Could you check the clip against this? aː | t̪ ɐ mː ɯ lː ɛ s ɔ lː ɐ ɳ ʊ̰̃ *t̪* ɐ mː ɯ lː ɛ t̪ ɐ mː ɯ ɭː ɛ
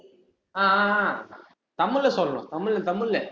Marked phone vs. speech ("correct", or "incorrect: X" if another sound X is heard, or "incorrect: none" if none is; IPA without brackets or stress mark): correct